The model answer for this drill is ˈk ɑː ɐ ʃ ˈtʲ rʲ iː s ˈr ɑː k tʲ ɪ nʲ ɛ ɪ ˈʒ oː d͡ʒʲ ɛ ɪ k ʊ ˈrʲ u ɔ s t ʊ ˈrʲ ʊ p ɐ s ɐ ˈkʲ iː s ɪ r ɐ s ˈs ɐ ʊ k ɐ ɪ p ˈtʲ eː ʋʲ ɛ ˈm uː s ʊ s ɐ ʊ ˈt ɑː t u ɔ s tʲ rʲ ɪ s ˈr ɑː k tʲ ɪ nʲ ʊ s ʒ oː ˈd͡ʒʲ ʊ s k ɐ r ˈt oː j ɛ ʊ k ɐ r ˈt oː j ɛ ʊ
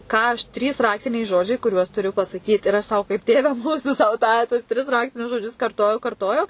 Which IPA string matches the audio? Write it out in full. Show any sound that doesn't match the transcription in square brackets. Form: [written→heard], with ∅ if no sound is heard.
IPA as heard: ˈk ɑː ɐ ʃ ˈtʲ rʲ iː s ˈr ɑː k tʲ ɪ nʲ ɛ ɪ ˈʒ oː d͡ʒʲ ɛ ɪ k ʊ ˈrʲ u ɔ s t ʊ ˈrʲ ʊ p ɐ s ɐ ˈkʲ iː [s→t] ɪ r ɐ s ˈs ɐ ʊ k ɐ ɪ p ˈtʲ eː ʋʲ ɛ ˈm uː s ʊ s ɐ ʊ ˈt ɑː t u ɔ s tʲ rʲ ɪ s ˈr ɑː k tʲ ɪ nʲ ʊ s ʒ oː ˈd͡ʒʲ ʊ s k ɐ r ˈt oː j ɛ ʊ k ɐ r ˈt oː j ɛ ʊ